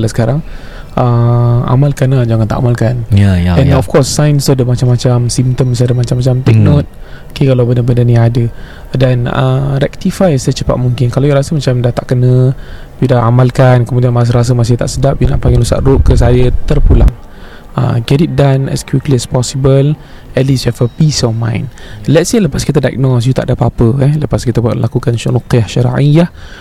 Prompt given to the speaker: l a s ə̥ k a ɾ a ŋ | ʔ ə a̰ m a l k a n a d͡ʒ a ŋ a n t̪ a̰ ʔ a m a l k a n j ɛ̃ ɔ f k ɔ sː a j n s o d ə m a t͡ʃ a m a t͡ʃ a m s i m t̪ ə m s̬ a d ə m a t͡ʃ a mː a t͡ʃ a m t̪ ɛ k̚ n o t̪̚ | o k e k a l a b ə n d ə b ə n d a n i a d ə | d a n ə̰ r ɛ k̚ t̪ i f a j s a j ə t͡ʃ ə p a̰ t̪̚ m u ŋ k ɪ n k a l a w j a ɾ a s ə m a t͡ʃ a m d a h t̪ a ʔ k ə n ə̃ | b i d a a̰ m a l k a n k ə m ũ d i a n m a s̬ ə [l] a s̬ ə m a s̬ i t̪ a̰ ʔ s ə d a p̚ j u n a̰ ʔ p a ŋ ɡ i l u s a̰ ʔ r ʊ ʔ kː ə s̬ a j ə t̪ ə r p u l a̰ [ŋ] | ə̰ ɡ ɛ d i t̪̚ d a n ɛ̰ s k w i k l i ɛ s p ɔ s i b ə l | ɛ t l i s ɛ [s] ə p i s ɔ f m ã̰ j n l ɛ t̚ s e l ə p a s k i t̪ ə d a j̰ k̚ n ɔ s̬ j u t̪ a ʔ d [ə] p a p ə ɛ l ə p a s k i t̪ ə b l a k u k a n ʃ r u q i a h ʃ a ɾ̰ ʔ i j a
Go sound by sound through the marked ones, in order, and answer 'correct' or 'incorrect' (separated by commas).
incorrect, correct, incorrect, incorrect